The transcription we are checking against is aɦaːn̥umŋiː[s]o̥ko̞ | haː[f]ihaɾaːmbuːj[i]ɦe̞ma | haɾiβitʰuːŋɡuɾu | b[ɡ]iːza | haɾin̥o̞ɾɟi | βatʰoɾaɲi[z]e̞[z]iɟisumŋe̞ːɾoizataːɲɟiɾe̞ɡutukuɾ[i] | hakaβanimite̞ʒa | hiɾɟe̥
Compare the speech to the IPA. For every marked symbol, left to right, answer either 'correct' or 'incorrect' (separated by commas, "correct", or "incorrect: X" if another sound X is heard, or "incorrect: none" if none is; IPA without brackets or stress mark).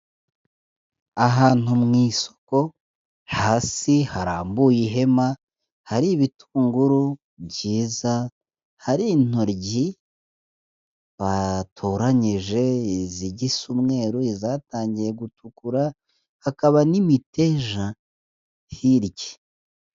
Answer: correct, incorrect: s, correct, incorrect: ɟ, incorrect: ʒ, correct, incorrect: a